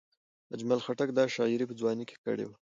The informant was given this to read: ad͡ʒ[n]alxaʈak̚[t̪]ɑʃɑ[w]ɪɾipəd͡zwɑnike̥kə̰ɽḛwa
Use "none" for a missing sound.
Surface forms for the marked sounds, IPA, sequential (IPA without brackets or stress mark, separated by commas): m, d̪, none